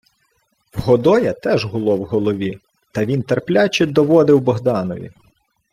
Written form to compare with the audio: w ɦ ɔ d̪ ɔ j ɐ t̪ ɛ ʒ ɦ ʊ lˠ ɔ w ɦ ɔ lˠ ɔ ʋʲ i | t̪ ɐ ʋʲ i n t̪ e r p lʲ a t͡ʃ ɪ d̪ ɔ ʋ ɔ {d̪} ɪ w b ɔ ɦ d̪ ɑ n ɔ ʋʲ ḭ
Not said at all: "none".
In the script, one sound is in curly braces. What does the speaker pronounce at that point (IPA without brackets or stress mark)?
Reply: d̪